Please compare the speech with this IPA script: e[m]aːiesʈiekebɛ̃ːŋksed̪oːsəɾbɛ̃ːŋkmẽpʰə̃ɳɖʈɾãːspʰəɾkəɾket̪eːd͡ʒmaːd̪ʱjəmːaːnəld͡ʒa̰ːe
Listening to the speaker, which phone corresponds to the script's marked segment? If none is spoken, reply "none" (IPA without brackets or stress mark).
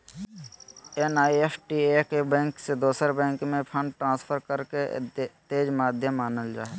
n